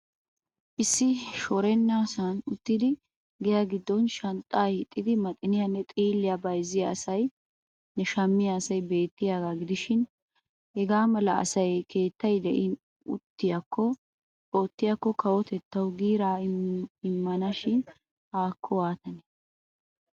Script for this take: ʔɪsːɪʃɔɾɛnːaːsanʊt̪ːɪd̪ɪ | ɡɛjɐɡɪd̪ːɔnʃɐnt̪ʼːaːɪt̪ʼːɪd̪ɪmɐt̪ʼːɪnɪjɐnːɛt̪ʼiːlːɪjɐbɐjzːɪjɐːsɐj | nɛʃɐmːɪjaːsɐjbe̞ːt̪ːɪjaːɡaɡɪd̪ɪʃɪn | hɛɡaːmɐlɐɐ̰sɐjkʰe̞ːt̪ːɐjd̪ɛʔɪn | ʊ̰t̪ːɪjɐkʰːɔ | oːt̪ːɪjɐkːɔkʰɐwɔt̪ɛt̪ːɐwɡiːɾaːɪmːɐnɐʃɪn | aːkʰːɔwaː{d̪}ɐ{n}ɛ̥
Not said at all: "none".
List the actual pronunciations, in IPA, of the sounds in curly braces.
t̪, n

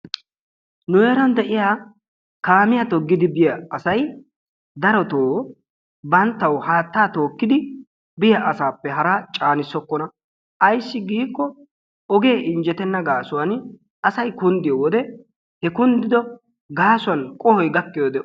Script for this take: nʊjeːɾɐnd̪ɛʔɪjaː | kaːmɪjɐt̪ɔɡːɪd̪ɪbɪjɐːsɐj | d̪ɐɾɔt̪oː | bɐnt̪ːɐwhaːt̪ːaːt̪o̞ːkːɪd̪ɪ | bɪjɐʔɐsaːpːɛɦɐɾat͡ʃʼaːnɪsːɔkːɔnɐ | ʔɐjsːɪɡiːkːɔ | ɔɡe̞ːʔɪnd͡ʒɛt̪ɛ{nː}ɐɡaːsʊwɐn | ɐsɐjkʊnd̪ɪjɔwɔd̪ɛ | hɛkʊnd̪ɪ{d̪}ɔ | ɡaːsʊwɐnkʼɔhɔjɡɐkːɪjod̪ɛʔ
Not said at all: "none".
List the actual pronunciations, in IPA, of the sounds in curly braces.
nː, d̪

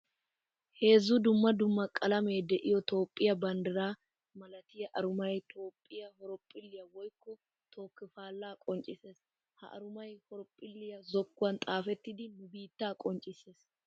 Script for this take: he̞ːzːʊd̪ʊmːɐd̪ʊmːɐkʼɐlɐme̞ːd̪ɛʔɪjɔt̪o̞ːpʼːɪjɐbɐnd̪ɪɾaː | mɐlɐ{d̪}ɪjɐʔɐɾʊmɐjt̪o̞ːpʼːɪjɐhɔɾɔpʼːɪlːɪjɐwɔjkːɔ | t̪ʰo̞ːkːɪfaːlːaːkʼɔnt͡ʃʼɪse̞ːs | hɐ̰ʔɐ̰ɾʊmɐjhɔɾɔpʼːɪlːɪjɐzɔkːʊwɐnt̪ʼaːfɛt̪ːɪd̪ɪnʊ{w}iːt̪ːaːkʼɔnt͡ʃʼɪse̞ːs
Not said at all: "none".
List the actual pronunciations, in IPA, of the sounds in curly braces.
t̪, b

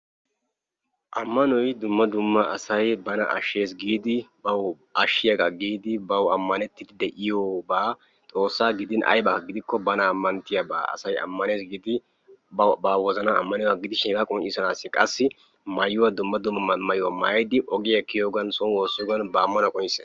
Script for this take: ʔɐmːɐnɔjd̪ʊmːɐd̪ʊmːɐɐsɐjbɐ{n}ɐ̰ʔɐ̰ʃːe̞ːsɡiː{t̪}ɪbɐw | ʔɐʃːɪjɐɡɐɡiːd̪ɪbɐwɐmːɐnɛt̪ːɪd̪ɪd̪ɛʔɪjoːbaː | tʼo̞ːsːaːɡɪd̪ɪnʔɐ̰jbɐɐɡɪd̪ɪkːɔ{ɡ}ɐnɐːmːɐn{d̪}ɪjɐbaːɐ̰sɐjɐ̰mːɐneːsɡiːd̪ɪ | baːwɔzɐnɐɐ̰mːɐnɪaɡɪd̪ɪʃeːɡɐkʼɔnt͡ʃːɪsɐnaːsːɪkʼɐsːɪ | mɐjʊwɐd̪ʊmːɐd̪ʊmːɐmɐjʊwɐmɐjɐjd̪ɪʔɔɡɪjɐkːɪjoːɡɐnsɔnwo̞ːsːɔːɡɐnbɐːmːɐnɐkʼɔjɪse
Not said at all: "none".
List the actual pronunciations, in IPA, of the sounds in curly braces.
n, d̪, b, t̪

